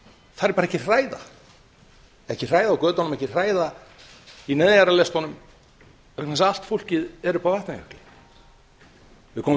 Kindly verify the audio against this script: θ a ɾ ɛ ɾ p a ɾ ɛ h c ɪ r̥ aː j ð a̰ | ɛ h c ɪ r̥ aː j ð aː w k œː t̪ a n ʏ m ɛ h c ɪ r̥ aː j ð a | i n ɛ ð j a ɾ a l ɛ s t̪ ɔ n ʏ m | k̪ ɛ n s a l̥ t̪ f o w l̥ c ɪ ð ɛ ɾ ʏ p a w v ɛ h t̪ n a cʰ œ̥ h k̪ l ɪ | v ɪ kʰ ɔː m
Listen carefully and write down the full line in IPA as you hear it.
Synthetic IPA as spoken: θ a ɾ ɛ ɾ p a ɾ ɛ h c ɪ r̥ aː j ð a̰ | ɛ h c ɪ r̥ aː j ð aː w k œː t̪ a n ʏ m ɛ h c ɪ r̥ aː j ð a | i n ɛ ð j a ɾ a l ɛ s t̪ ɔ n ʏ m | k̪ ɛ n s a l̥ t̪ f o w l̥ c ɪ ð ɛ ɾ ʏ p a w v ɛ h t̪ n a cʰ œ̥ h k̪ l ɪ | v ɪ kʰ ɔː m